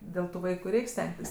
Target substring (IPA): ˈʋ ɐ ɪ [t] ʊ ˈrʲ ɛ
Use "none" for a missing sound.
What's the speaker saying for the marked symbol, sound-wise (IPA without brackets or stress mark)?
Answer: k